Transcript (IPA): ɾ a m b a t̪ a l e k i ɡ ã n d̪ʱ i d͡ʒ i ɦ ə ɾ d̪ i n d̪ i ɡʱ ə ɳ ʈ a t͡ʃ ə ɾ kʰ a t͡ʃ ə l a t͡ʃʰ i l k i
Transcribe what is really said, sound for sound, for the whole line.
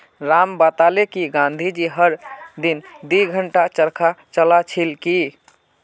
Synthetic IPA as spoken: ɾ a m b a t̪ a l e k i ɡ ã n d̪ʱ i d͡ʒ i ɦ ə ɾ d̪ i n d̪ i ɡʱ ə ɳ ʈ a t͡ʃ ə ɾ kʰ a t͡ʃ ə l a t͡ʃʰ i l k i